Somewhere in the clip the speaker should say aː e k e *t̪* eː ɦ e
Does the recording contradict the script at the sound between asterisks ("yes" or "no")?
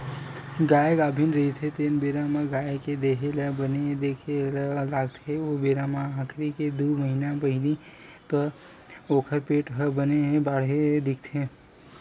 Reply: yes